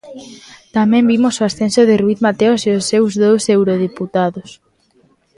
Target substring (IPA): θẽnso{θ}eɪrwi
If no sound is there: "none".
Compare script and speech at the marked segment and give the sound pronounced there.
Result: ð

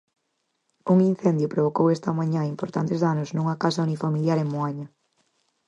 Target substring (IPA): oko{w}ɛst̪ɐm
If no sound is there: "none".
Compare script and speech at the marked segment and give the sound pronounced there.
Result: w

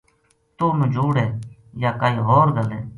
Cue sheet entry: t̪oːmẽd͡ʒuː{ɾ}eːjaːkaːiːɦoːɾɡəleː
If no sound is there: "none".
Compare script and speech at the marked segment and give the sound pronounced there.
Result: ɽ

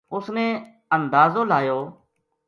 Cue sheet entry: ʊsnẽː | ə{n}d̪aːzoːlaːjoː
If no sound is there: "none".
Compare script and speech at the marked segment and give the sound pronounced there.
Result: n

